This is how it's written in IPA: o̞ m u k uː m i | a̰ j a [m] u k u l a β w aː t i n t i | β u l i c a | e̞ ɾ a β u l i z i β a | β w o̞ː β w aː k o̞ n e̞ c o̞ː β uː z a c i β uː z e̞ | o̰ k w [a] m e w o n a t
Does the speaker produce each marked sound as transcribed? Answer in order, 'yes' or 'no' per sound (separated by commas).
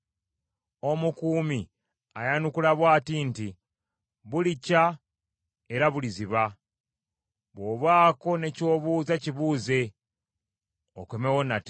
no, no